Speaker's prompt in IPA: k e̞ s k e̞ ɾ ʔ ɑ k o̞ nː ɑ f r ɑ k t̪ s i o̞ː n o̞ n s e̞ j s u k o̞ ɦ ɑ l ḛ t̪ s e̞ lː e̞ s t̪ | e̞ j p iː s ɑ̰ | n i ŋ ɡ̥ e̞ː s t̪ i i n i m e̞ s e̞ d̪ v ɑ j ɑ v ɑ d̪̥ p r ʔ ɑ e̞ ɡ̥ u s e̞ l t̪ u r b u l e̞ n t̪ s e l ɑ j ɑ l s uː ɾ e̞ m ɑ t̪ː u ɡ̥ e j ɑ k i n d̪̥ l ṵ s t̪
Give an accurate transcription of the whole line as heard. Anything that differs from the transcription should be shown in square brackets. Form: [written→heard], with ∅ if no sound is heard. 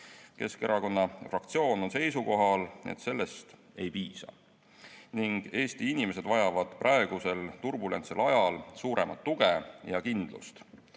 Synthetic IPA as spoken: k e̞ s k e̞ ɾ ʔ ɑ k o̞ nː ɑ f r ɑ k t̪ s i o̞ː n o̞ n s e̞ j s u k o̞ ɦ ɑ l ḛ t̪ s e̞ lː e̞ s t̪ | e̞ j p iː s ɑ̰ | n i ŋ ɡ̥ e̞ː s t̪ i i n i m e̞ s e̞ d̪ v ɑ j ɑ v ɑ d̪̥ p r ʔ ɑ e̞ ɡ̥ u s e̞ l t̪ u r b u l e̞ n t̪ s e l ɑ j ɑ l s uː ɾ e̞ m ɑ t̪ː u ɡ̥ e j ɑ k i n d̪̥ l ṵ s t̪

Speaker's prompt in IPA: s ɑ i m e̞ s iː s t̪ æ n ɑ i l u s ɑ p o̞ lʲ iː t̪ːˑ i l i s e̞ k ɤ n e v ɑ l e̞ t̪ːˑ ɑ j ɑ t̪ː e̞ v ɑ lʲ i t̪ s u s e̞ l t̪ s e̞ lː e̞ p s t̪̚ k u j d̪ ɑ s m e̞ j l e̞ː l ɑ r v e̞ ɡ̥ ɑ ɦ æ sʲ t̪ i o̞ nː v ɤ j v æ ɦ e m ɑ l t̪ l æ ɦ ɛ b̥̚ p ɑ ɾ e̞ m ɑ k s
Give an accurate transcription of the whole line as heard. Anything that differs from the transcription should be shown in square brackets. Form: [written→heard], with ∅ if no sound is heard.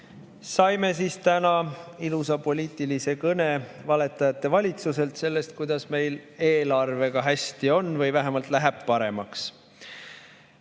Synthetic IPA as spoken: s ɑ [i→j] m e̞ s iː s t̪ æ n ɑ i l u s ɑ p o̞ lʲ iː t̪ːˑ i l i s e̞ k ɤ n e v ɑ l e̞ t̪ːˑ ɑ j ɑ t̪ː e̞ v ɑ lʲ i t̪ s u s e̞ l t̪ s e̞ lː e̞ [p→∅] s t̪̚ k u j d̪ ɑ s m e̞ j l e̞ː l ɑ r v e̞ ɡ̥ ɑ ɦ æ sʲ t̪ i o̞ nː v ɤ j v æ ɦ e m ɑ l t̪ l æ ɦ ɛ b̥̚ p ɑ ɾ e̞ m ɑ k s

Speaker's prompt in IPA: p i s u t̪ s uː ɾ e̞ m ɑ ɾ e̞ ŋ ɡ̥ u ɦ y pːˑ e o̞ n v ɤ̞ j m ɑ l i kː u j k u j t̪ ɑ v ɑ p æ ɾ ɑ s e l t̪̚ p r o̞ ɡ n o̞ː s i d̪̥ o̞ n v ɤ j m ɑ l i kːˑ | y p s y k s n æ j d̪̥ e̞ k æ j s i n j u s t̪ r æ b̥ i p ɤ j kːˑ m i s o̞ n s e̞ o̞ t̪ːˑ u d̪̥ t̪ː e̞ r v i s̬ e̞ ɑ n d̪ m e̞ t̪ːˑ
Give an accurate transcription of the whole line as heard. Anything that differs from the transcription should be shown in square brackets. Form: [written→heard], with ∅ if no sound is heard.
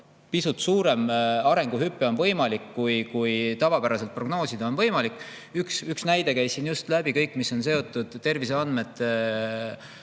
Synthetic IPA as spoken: p i s u t̪ s uː ɾ e̞ m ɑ ɾ e̞ ŋ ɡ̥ u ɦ y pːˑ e o̞ n v ɤ̞ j m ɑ l i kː u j k u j t̪ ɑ v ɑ p æ ɾ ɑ s e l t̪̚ p r o̞ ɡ n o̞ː s i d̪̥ o̞ n v ɤ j m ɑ l i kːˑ | y [p→k] s y k s n æ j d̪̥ e̞ k æ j s i n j u s t̪ [r→l] æ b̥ i [p→k] ɤ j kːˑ m i s o̞ n s e̞ o̞ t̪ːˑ u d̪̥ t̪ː e̞ r v i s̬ e̞ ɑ n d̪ m e̞ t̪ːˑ

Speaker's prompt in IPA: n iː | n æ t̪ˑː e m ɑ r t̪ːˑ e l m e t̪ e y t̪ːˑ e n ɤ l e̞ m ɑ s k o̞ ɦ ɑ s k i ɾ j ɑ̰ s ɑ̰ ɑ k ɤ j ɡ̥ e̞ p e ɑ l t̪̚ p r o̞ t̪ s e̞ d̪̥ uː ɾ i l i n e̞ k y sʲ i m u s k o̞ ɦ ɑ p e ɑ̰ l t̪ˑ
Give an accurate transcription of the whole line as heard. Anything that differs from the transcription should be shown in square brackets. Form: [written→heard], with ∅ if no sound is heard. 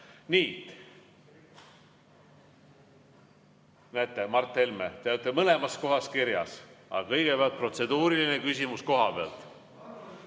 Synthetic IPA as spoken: n iː | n æ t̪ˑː e m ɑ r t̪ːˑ e l m e t̪ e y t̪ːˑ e [n→m] ɤ l e̞ m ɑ s k o̞ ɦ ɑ s k i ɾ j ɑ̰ s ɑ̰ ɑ k ɤ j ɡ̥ e̞ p e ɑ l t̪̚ p r o̞ t̪ s e̞ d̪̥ uː ɾ i l i n e̞ k y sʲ i m u s k o̞ ɦ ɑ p e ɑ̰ l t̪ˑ

